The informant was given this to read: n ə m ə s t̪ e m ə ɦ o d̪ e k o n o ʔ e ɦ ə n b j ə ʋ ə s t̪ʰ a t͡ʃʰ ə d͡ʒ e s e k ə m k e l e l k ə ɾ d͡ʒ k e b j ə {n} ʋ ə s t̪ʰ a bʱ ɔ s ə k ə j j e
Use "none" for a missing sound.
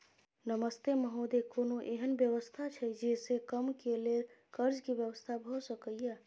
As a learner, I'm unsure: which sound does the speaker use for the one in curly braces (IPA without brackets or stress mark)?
none